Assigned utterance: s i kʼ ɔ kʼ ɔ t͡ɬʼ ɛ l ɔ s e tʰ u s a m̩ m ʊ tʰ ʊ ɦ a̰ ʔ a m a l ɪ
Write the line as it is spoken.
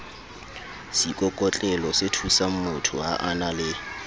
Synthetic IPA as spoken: s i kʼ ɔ kʼ ɔ t͡ɬʼ ɛ l ɔ s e tʰ u s a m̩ m ʊ tʰ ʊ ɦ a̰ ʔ a n a l ɪ

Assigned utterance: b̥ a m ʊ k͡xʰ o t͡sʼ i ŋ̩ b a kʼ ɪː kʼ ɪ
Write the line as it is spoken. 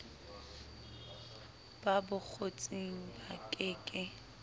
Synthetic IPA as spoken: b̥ a b ʊ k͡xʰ o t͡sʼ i ŋ̩ b a kʼ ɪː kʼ ɪ

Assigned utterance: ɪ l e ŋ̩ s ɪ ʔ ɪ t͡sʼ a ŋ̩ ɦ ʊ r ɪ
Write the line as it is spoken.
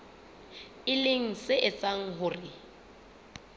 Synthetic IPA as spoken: ɪ l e ŋ̩ s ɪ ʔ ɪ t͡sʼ a ŋ̩ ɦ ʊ r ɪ

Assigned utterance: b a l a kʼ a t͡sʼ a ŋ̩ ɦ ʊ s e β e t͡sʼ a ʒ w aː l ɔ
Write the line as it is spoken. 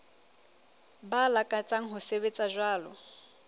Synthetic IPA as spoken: b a l a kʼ a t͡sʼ a ŋ̩ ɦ ʊ s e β e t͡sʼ a ʒ w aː l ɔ

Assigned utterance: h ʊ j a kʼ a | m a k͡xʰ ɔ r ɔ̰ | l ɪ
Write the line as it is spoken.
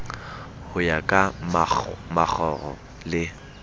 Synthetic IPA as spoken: h ʊ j a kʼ a | m a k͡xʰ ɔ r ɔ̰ | l ɪ

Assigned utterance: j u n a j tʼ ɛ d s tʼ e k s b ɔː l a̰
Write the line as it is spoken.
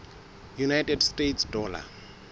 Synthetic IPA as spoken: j u n a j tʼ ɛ d s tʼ e t s d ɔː l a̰

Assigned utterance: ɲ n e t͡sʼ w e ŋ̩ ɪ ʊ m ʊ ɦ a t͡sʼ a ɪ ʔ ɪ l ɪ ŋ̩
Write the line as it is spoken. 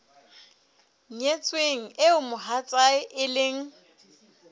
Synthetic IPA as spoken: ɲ ɲ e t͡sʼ w e ŋ̩ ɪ ʊ m ʊ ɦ a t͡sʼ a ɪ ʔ ɪ l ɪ ŋ̩

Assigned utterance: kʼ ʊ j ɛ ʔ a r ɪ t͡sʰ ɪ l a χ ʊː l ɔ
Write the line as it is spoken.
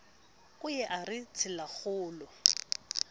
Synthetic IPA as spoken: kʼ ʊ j ɛ ʔ a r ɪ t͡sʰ ɪ l a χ ʊː l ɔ

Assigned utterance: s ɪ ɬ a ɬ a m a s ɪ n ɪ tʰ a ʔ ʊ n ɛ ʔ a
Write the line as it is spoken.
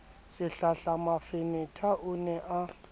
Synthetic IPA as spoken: s ɪ ɬ a ɬ a m a f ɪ n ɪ tʰ a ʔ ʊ n ɛ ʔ a

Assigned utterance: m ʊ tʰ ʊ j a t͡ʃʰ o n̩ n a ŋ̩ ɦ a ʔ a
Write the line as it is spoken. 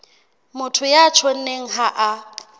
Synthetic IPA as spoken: m ʊ tʰ ʊ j a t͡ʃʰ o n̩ n e ŋ̩ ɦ a ʔ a

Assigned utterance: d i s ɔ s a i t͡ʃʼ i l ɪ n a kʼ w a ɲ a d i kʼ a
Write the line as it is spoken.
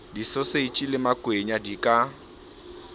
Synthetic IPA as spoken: d i s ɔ s e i t͡ʃʼ i l ɪ m a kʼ w e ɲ a d i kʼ a

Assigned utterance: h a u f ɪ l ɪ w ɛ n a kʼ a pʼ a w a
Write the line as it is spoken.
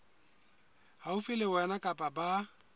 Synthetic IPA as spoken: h a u f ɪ l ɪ w ɛ n a kʼ a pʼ a b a

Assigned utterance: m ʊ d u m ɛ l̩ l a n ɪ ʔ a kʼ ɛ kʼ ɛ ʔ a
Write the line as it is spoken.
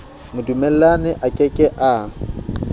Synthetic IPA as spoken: m ʊ d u m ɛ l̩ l a n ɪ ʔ a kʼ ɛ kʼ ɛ ʔ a

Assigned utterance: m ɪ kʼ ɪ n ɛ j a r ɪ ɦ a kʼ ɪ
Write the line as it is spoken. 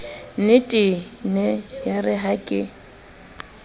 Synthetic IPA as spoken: n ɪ tʼ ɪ n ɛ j a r ɪ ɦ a kʼ ɪ

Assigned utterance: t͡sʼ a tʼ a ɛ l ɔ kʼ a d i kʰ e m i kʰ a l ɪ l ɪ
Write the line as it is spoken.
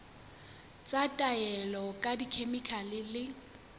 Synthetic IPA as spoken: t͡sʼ a tʼ a ɛ l ɔ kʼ a d i kʰ e m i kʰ a l ɪ l ɪ

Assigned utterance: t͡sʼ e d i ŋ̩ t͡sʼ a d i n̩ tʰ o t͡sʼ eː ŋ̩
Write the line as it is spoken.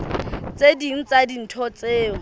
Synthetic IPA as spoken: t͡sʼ e d i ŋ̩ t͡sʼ a d i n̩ tʰ ɔ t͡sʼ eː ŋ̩

